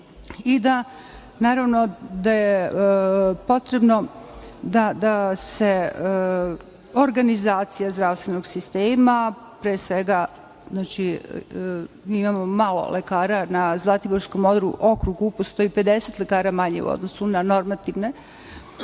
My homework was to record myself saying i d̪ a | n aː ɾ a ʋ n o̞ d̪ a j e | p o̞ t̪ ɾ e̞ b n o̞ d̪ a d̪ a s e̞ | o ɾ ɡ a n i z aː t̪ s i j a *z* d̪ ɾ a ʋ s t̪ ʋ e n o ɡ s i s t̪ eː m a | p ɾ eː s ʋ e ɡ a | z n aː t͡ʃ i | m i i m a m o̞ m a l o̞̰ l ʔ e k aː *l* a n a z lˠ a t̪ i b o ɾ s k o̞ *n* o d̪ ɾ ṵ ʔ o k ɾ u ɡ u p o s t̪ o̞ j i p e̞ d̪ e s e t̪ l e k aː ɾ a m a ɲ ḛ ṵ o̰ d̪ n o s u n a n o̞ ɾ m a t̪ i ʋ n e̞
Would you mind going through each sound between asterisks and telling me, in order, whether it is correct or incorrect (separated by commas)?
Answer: correct, incorrect, incorrect